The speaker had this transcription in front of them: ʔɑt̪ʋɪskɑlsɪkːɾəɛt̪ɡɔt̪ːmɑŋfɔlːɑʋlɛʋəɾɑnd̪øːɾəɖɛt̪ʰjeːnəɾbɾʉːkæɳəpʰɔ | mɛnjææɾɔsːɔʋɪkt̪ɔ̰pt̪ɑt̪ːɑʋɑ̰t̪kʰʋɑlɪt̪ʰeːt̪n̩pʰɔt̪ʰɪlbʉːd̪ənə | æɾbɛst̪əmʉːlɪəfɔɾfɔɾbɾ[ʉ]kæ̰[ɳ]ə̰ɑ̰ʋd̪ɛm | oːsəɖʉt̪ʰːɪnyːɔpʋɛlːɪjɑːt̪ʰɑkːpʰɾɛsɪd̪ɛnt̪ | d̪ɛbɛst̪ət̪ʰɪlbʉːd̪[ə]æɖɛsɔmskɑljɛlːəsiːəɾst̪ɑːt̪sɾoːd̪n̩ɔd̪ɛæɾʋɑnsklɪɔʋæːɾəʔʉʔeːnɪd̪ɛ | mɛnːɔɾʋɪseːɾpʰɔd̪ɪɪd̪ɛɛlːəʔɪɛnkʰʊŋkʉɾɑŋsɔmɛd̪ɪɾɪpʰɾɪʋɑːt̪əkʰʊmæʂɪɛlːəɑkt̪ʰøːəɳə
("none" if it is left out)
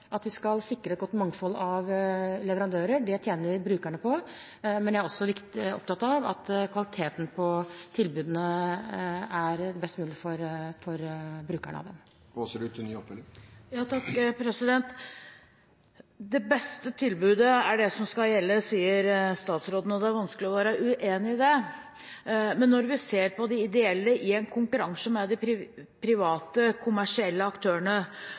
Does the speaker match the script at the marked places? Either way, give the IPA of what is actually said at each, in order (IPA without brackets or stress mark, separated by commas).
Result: ʉː, ɳ, ə